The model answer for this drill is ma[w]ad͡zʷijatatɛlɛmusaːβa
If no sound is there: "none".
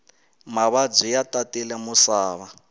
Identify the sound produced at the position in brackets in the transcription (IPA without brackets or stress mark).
β